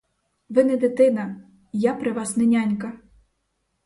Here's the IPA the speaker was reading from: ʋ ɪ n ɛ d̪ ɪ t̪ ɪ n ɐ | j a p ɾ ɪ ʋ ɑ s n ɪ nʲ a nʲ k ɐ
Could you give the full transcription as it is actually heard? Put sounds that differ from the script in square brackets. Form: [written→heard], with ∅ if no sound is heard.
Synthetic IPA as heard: ʋ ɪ n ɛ d̪ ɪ t̪ ɪ n ɐ | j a p ɾ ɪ ʋ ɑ s n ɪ nʲ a nʲ k ɐ